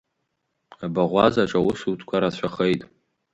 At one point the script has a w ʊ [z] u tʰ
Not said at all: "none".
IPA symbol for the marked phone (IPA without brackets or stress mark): s